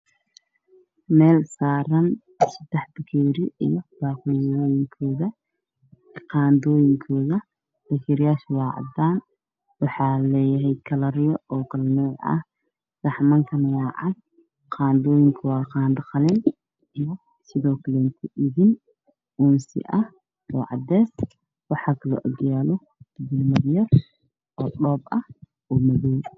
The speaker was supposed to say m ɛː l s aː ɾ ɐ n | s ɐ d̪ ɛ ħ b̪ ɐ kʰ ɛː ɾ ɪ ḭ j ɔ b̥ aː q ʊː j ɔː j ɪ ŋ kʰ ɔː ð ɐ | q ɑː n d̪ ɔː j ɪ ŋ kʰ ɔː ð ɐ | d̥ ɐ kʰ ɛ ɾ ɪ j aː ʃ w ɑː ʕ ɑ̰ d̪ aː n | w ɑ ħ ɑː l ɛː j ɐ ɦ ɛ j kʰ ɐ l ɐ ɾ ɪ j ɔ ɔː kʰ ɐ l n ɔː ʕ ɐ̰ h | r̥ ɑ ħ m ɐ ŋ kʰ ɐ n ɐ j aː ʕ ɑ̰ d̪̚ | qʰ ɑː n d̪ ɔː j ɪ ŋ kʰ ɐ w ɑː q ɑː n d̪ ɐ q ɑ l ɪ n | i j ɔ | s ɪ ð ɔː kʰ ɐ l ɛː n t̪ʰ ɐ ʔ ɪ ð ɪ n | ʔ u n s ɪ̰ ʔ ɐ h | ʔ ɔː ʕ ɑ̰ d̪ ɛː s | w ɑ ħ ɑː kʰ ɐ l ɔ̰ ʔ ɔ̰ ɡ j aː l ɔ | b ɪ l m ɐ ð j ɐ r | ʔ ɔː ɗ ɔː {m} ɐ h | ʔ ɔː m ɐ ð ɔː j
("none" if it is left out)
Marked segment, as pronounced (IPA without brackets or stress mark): b